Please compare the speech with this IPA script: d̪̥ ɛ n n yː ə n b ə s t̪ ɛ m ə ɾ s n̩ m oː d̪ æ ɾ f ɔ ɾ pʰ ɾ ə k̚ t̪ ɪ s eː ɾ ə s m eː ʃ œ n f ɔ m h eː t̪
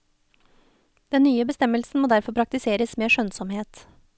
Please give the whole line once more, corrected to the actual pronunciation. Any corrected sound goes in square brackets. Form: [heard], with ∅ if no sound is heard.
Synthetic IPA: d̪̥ ɛ n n yː ə [∅] b ə s t̪ ɛ m ə [l] s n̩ m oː d̪ æ ɾ f ɔ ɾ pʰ ɾ [ɑ] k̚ t̪ ɪ s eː ɾ ə s m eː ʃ œ n [s] ɔ m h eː t̪